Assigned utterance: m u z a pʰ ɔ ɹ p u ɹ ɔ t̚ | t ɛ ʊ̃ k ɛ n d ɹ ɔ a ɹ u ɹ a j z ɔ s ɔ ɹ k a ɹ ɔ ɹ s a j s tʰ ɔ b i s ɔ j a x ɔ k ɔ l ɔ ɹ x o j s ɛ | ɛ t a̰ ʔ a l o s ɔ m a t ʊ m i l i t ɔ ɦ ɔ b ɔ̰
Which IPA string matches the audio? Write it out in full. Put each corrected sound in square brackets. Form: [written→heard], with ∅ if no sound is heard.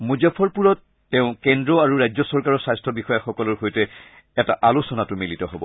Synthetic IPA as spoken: m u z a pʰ ɔ ɹ p u ɹ ɔ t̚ | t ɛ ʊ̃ k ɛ n d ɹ ɔ a ɹ u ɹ a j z ɔ s ɔ ɹ k a ɹ ɔ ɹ s a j s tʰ ɔ b i [s→x] ɔ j a x ɔ k ɔ l ɔ ɹ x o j [s→t] ɛ | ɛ t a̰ ʔ a l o s ɔ [m→n] a t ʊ m i l i t ɔ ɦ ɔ b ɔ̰